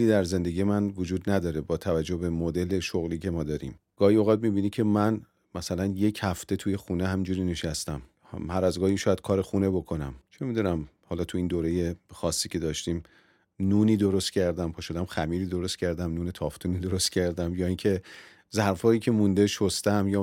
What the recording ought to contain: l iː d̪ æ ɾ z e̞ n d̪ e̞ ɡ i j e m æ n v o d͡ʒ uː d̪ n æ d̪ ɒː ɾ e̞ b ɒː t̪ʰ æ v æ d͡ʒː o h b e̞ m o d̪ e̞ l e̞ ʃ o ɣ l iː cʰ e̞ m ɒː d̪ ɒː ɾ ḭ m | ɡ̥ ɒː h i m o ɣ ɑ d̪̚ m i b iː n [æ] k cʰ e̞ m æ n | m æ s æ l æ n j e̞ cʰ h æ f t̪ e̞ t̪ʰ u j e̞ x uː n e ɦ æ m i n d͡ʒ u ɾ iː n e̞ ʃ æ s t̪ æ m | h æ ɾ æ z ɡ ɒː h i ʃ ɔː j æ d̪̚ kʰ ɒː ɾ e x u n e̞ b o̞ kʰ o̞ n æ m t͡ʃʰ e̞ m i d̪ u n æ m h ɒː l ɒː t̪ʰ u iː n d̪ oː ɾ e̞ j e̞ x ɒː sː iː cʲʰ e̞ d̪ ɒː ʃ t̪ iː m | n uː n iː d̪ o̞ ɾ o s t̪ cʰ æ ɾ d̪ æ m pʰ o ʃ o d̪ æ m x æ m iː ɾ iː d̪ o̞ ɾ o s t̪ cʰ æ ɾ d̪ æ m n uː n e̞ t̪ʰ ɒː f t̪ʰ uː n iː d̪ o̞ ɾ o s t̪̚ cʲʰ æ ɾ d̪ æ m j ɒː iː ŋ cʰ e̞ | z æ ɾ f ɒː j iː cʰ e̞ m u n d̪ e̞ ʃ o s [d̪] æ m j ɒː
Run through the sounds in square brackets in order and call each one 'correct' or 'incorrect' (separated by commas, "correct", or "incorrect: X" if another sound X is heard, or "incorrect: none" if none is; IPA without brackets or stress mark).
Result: incorrect: i, incorrect: t̪